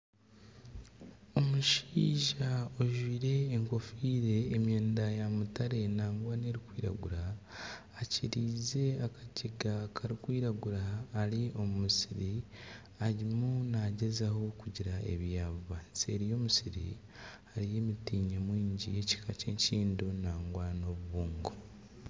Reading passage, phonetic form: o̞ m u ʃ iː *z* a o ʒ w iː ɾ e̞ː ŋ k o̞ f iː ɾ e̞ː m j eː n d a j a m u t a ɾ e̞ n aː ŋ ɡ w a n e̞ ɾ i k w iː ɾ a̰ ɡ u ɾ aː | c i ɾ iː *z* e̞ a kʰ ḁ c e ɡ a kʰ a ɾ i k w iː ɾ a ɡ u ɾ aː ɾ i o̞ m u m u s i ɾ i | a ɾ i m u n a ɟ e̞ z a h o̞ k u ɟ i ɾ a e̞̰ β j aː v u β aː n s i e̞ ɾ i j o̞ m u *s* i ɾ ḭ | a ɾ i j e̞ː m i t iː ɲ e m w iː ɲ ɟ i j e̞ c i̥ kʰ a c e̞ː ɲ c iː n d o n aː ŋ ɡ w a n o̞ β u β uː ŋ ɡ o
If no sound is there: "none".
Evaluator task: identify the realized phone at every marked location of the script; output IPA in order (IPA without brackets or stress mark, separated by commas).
ʒ, z, s